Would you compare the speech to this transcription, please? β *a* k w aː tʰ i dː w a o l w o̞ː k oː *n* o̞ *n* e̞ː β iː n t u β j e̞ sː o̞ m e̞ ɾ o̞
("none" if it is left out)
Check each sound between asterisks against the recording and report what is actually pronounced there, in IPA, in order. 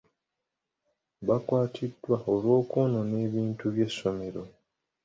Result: a, n, n

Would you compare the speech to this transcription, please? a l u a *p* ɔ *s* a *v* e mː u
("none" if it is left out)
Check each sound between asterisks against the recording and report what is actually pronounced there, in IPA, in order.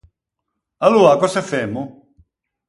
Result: k, s, f

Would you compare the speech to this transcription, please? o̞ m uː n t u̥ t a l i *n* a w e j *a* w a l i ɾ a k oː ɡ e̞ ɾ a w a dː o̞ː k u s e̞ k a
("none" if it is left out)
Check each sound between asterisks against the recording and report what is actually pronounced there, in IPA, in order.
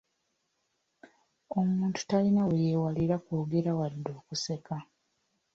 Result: n, e

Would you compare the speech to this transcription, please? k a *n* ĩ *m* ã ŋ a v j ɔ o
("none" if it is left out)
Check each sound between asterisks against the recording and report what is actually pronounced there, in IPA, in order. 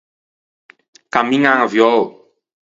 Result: m, ŋ

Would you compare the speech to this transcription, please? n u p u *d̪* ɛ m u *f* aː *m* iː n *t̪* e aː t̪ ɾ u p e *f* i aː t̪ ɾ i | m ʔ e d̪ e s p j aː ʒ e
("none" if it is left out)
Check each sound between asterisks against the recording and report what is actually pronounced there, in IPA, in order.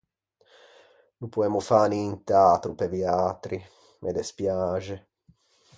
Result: none, f, n, t̪, v

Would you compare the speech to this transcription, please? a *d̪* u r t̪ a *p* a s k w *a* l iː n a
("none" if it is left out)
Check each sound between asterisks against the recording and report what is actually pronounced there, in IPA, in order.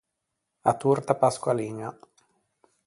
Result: t̪, p, a

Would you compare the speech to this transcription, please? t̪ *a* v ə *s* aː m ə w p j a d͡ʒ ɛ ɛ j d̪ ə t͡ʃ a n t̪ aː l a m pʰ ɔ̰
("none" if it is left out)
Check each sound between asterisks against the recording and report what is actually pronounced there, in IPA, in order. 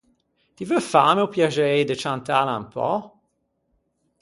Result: i, f

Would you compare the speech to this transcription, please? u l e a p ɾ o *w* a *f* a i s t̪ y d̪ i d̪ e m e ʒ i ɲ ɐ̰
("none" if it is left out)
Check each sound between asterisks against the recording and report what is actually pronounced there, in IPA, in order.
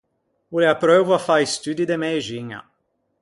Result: v, f

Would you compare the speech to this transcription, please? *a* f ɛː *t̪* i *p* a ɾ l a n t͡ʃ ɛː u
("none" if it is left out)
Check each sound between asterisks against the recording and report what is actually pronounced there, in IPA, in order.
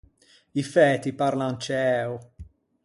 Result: i, t̪, p

